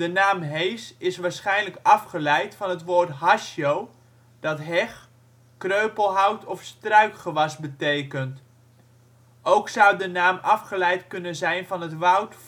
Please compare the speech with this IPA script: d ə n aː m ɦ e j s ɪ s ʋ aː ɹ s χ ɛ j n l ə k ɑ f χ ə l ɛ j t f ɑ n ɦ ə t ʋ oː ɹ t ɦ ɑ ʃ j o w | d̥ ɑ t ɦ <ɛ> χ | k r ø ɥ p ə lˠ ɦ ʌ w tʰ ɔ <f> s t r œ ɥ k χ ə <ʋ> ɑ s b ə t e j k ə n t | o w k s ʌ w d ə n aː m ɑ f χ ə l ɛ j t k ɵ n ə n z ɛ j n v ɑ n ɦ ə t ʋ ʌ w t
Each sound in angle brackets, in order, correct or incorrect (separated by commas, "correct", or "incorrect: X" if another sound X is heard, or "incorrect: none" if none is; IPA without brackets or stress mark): correct, correct, correct